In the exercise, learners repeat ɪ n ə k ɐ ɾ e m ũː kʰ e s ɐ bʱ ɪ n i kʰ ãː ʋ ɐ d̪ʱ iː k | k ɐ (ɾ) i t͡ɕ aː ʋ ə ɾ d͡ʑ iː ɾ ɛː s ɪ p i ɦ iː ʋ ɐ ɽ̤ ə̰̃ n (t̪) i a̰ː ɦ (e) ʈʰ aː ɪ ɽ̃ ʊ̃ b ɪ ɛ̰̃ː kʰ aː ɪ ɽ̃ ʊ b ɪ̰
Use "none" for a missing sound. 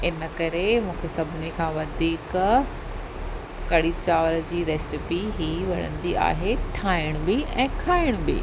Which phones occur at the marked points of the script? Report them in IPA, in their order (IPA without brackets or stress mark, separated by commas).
ɽ, d̪, e